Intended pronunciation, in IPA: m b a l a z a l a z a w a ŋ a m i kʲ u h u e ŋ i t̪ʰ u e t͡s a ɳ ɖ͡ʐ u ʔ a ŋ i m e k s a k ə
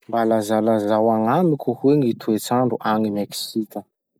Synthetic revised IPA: m b a l a z a l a z a w a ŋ a m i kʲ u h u e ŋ i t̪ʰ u e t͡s a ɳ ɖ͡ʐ u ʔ a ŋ i m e k s i k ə